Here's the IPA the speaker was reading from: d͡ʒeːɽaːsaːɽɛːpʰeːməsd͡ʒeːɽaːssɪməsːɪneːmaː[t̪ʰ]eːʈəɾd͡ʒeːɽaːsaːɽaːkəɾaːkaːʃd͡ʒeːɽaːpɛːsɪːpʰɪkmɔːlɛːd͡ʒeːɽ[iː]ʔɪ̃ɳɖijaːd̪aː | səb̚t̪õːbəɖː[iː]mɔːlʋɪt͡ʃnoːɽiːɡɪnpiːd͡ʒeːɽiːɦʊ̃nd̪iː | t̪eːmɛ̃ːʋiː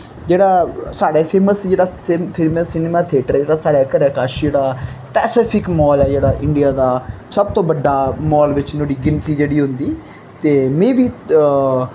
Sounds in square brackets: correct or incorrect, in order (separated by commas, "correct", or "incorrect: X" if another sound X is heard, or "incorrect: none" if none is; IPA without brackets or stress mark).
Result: correct, incorrect: aː, incorrect: aː